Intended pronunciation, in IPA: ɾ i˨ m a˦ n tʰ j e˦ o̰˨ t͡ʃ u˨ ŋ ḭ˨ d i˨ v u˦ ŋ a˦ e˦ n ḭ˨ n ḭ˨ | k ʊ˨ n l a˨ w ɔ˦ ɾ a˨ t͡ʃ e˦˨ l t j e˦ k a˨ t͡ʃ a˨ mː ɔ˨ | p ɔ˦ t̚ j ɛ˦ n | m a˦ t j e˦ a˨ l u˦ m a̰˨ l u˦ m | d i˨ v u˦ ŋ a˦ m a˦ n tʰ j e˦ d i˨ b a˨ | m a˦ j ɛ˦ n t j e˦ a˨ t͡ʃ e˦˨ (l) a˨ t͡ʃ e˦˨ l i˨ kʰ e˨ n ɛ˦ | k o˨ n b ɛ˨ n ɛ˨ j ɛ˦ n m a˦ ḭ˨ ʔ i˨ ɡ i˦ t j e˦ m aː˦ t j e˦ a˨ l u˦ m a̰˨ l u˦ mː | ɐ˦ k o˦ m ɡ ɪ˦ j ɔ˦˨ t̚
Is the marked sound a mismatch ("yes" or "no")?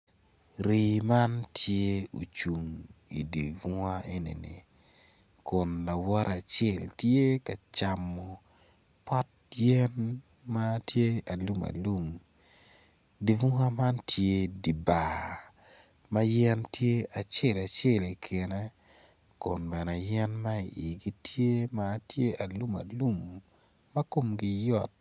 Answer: no